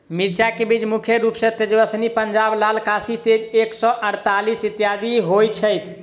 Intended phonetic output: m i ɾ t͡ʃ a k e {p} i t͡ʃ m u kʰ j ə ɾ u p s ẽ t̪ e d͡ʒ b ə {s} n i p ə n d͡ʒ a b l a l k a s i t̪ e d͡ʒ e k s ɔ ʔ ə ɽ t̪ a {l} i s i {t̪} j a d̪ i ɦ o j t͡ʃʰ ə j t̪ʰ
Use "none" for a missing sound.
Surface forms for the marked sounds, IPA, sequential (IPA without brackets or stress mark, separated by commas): b, s, l, t̪